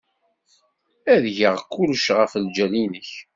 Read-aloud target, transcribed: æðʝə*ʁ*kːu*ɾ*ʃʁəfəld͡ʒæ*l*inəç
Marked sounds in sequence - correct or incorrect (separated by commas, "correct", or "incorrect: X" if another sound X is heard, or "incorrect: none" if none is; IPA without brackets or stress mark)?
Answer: correct, incorrect: l, correct